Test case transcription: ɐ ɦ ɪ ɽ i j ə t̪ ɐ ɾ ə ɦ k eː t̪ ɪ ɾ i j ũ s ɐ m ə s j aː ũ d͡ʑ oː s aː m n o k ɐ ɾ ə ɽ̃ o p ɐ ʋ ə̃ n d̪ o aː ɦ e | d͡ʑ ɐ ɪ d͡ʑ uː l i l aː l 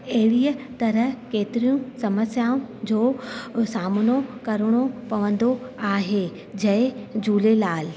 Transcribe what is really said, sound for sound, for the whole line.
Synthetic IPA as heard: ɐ ɦ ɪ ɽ i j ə t̪ ɐ ɾ ə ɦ k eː t̪ ɪ ɾ i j ũ s ɐ m ə s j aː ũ d͡ʑ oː s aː m n o k ɐ ɾ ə ɽ̃ o p ɐ ʋ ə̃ n d̪ o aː ɦ e | d͡ʑ ɐ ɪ d͡ʑ uː l e l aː l